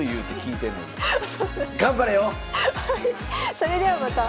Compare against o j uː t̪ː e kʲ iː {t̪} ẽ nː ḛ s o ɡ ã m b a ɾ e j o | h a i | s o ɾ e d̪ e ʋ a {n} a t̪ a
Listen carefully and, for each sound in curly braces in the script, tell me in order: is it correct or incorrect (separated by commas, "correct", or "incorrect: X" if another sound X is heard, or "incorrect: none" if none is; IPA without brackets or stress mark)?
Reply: correct, incorrect: m